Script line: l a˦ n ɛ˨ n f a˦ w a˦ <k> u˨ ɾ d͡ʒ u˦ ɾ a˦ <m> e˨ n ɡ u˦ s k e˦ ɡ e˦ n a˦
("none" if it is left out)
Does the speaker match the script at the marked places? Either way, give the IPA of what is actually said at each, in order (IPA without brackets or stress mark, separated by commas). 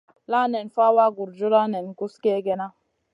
ɡ, n